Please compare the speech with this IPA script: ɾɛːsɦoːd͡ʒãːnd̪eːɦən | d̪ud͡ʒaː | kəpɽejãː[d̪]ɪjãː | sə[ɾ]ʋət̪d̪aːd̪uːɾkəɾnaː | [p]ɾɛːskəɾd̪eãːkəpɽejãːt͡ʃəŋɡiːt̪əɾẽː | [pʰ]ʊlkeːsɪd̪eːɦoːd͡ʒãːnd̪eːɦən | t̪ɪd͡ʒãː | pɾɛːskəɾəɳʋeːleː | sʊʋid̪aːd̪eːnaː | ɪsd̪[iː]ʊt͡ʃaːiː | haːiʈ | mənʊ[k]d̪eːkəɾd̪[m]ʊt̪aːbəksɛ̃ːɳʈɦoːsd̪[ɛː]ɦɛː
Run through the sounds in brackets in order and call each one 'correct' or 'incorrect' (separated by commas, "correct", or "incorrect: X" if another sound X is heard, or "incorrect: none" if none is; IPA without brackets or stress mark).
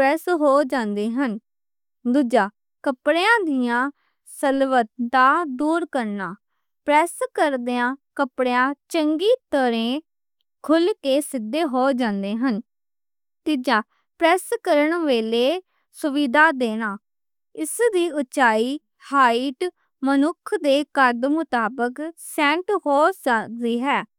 correct, incorrect: l, correct, incorrect: kʰ, correct, incorrect: kʰ, correct, incorrect: iː